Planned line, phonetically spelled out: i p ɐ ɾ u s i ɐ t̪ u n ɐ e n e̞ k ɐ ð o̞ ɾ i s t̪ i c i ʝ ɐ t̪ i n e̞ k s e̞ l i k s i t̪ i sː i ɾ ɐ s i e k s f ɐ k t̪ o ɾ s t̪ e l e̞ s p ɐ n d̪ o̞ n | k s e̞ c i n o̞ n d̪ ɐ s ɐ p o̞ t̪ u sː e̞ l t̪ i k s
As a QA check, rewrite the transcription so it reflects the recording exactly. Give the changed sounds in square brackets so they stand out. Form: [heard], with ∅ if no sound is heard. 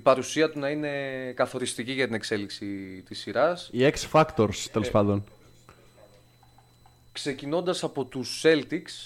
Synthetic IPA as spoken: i p ɐ ɾ u s i ɐ t̪ u n ɐ [i] n e̞ k ɐ [θ] o̞ ɾ i s t̪ i c i ʝ ɐ t̪ i n e̞ k s e̞ l i k s i t̪ i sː i ɾ ɐ s i e k s f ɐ k t̪ o ɾ s t̪ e l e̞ s p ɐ n d̪ o̞ n | k s e̞ c i n o̞ n d̪ ɐ s ɐ p o̞ t̪ u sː e̞ l t̪ i k s